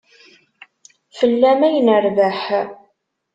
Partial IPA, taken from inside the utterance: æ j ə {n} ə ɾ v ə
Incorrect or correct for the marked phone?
correct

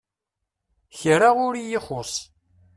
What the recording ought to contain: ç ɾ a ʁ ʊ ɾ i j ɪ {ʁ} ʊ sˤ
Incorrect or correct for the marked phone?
incorrect: χ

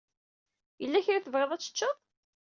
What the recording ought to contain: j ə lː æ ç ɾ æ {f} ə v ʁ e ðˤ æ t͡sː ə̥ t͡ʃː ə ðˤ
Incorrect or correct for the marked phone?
incorrect: θ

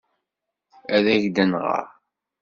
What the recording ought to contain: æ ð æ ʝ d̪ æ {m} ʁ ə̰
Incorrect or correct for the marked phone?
incorrect: n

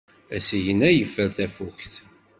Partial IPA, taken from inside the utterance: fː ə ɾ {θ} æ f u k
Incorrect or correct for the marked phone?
correct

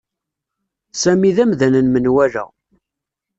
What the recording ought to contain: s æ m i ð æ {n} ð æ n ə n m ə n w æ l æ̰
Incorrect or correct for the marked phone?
incorrect: m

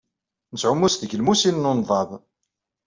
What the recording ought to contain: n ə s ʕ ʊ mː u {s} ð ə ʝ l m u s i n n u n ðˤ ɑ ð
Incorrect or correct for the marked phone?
correct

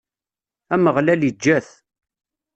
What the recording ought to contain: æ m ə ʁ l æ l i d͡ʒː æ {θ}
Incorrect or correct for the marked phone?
correct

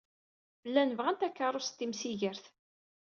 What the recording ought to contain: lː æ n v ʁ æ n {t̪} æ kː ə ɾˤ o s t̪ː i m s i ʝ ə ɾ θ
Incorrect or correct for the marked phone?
correct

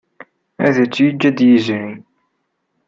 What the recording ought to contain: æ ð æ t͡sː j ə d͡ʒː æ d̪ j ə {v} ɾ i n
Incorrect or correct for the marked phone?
incorrect: z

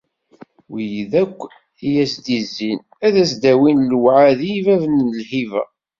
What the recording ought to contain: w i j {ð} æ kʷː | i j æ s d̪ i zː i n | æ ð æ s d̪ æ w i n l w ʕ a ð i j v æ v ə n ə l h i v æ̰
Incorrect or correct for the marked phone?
correct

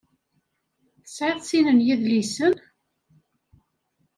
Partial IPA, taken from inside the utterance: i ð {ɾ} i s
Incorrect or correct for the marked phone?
incorrect: l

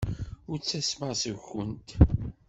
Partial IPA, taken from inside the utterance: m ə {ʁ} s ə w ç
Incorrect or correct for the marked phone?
correct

